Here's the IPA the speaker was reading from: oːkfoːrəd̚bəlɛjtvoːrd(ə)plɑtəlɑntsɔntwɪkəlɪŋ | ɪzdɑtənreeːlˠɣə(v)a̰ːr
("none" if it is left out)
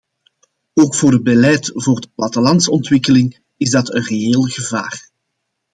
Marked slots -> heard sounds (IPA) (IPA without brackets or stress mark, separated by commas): ə, v